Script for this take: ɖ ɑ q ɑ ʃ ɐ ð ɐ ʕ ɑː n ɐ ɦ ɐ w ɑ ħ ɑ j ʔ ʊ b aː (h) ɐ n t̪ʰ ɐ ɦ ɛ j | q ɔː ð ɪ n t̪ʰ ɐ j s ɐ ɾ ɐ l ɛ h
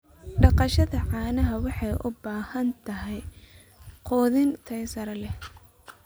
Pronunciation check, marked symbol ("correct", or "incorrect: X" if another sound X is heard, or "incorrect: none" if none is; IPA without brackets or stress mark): correct